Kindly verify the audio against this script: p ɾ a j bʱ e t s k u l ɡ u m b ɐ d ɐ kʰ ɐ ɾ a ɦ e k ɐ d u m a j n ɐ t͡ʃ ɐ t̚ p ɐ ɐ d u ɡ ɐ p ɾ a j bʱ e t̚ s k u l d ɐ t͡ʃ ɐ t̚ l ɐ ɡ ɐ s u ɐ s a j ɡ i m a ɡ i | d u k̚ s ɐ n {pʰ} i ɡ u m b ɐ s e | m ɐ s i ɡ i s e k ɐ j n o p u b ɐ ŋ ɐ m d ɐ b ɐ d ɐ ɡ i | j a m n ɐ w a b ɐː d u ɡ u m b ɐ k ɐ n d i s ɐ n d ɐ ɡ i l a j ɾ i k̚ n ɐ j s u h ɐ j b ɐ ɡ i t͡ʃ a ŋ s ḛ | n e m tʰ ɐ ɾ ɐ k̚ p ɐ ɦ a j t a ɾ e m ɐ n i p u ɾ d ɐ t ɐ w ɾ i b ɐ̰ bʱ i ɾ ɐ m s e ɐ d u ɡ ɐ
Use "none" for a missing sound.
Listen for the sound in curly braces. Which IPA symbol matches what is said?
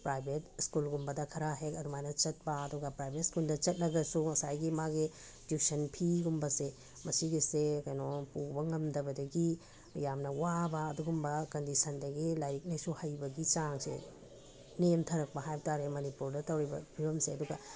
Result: pʰ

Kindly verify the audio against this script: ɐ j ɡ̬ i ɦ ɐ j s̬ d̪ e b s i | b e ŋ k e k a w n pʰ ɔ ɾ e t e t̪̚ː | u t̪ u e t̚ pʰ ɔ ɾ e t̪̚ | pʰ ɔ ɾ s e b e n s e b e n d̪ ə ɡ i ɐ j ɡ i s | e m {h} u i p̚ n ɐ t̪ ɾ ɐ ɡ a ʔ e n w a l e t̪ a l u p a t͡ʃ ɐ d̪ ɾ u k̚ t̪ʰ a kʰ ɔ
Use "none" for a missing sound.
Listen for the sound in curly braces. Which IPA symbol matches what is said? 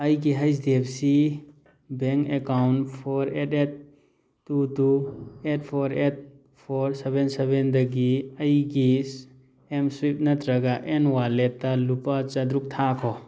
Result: s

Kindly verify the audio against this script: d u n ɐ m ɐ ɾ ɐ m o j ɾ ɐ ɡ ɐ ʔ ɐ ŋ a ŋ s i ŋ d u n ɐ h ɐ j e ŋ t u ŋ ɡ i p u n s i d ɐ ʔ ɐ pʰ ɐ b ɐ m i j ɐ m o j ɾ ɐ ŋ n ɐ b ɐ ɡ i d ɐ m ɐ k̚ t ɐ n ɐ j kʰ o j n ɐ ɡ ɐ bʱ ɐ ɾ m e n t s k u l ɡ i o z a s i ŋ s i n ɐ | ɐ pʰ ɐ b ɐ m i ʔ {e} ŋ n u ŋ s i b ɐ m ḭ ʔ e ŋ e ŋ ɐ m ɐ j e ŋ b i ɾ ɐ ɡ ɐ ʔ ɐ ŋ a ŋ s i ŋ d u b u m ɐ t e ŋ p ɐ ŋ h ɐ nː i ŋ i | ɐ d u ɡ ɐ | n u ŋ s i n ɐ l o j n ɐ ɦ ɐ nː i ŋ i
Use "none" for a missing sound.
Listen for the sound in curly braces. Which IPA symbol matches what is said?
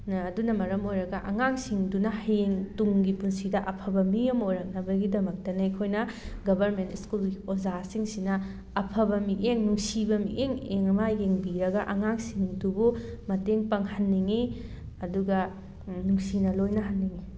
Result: e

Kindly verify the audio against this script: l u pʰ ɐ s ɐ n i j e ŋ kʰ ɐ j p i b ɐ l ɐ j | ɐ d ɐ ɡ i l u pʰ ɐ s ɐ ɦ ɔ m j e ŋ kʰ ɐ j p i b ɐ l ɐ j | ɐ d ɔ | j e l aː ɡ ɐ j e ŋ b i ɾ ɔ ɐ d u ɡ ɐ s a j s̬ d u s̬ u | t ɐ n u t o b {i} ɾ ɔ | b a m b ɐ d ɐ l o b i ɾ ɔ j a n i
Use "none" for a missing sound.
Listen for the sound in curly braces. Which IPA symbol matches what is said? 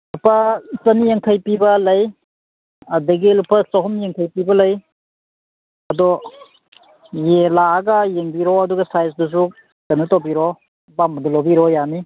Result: i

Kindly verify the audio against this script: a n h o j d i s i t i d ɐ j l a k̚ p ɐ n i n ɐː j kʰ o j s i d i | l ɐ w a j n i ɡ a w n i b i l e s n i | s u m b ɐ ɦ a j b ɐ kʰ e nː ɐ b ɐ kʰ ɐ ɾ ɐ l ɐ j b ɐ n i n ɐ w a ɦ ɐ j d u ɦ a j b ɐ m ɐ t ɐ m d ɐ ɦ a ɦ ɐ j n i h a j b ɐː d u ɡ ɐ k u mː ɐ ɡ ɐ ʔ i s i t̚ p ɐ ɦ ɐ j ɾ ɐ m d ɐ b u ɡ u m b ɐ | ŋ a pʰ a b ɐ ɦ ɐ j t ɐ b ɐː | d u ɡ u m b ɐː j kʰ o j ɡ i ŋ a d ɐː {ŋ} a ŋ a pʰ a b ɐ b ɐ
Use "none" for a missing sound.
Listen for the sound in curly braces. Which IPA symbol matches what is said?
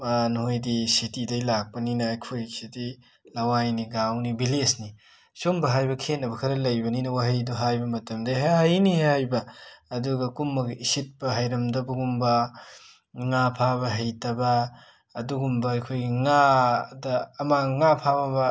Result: m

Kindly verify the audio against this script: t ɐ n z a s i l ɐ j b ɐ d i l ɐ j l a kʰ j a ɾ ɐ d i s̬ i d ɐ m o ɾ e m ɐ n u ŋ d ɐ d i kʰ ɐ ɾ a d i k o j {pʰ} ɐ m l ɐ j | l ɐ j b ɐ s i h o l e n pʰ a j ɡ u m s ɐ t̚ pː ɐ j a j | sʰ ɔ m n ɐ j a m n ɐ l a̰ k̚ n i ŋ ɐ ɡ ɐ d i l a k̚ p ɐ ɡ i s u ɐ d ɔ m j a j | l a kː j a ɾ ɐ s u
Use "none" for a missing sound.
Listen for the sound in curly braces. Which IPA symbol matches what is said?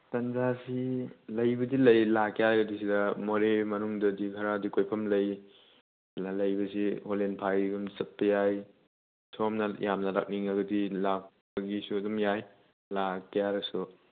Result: pʰ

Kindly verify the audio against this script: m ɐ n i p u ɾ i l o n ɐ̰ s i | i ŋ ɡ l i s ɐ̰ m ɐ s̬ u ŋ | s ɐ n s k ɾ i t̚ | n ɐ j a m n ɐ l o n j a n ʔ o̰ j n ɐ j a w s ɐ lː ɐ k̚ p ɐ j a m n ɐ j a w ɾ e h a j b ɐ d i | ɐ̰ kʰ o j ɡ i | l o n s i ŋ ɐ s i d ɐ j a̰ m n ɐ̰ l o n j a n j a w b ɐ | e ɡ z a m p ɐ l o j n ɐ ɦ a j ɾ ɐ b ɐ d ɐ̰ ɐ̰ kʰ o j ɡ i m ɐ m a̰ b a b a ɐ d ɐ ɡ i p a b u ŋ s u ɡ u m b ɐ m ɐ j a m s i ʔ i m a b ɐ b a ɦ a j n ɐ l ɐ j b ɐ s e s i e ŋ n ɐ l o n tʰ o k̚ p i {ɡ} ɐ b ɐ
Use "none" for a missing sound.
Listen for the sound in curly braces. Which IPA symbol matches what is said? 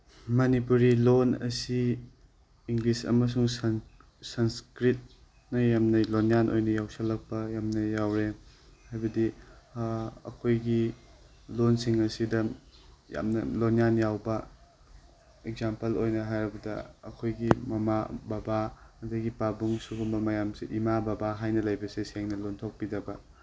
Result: d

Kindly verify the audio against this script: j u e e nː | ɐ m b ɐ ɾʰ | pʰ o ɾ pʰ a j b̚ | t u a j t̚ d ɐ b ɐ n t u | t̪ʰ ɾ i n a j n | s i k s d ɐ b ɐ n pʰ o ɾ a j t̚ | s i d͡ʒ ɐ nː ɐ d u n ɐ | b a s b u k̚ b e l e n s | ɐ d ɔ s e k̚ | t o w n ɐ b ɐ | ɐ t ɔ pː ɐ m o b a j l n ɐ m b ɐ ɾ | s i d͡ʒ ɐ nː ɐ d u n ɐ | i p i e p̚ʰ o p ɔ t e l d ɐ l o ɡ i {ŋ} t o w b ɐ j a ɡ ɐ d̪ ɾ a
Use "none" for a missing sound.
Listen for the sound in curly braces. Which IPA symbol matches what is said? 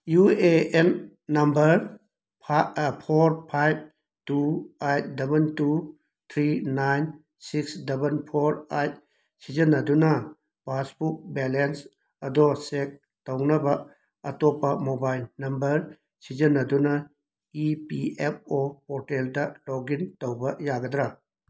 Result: n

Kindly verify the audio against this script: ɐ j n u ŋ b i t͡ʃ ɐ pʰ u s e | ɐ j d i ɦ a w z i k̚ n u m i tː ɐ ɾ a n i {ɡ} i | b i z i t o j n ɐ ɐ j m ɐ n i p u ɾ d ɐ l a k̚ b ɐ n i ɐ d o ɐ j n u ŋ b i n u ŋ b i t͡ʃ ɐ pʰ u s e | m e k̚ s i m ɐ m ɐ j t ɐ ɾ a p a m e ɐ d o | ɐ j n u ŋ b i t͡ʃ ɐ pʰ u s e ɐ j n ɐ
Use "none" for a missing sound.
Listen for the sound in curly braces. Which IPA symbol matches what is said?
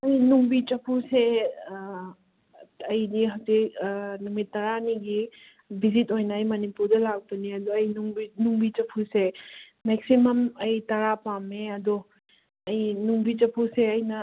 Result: ɡ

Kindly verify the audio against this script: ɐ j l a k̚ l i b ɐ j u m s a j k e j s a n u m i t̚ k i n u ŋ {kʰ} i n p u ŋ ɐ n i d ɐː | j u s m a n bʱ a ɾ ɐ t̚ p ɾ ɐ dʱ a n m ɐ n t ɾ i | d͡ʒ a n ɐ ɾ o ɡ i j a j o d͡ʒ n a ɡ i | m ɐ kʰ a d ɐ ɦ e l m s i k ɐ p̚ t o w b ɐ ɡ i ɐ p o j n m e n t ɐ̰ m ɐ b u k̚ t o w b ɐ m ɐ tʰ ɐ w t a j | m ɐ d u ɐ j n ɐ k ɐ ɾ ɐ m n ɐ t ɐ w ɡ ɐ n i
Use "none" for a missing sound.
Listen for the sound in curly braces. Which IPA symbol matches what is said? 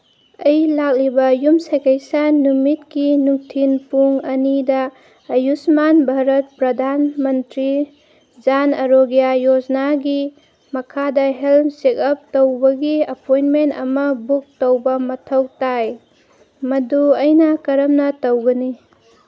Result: tʰ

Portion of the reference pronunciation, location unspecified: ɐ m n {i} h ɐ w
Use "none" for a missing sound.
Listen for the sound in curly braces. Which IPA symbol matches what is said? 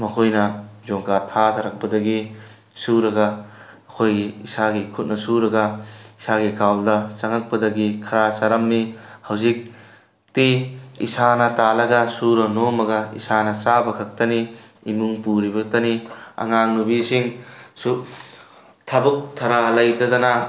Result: i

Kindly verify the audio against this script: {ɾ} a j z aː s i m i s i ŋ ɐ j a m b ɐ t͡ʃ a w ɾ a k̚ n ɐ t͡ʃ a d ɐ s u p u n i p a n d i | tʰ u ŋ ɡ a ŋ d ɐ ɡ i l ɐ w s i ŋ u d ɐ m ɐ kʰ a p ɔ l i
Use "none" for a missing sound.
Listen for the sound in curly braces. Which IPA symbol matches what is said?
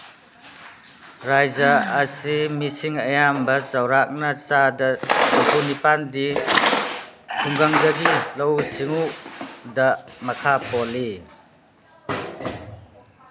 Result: ɾ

